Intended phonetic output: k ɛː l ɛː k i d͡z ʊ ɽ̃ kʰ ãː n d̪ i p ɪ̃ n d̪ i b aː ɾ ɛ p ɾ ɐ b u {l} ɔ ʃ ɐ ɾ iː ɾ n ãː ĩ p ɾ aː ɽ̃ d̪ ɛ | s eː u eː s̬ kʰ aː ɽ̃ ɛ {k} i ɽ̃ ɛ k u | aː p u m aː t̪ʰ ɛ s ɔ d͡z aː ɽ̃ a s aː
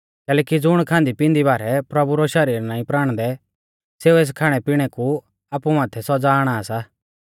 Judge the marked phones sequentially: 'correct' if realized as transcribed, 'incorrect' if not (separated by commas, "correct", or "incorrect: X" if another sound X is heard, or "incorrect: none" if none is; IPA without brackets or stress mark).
incorrect: ɾ, incorrect: p